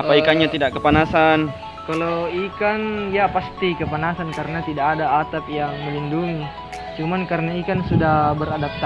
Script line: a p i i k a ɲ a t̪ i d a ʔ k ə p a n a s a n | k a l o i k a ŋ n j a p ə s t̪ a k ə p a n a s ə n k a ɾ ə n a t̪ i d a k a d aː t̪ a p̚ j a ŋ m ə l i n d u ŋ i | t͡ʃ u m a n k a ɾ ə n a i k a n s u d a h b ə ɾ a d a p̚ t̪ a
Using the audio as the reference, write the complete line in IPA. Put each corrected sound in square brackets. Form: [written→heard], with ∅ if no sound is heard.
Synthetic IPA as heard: a p [i→a] i k a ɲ a t̪ i d a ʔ k ə p a n a s a n | k a l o i k a [ŋ→∅] n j a p [ə→a] s t̪ [a→i] k ə p a n a s [ə→a] n k a ɾ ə n a t̪ i d a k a d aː t̪ a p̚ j a ŋ m ə l i n d u ŋ i | t͡ʃ u m a n k a ɾ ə n a i k a n s u d a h b ə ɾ a d a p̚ t̪ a